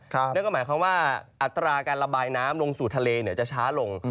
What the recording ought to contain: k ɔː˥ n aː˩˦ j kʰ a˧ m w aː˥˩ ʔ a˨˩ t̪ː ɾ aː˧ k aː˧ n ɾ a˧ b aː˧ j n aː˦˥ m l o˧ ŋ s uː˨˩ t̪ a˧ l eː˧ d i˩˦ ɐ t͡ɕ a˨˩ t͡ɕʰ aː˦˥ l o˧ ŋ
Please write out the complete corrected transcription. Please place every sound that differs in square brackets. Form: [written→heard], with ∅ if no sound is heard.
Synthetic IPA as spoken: k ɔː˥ [n→m] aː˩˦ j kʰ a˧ m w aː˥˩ ʔ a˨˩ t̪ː ɾ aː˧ k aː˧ n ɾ a˧ b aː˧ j n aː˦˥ m l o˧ ŋ s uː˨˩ [t̪→t̪ʰ] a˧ l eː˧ [d→n] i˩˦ ɐ t͡ɕ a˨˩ t͡ɕʰ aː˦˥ l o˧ ŋ